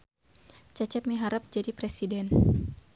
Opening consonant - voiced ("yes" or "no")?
no